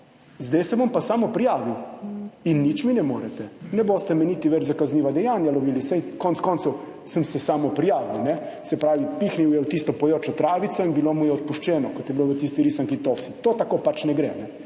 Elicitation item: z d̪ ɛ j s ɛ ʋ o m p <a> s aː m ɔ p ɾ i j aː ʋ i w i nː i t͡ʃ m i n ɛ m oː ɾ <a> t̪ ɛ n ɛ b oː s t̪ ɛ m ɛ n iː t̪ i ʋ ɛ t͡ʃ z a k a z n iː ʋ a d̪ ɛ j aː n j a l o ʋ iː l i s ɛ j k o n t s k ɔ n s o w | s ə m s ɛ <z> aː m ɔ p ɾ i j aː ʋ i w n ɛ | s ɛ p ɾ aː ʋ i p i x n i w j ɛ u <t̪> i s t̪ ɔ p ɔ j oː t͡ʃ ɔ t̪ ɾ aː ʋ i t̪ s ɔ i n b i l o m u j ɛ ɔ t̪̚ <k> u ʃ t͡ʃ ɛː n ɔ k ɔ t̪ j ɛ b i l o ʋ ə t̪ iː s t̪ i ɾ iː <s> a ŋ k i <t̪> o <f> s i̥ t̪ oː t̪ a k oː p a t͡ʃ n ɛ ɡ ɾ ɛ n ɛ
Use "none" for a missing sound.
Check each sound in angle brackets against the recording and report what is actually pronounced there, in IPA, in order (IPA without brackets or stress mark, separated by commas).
a, ɛ, s, t̪, p, s, t̪, f